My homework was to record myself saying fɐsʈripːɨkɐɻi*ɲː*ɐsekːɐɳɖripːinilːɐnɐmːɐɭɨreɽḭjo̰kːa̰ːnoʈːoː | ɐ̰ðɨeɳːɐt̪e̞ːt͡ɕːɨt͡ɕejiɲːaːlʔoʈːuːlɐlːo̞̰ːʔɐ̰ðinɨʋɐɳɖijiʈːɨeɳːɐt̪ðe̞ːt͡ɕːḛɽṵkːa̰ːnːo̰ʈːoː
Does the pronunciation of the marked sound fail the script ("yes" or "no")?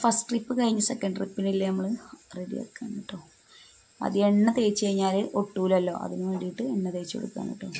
no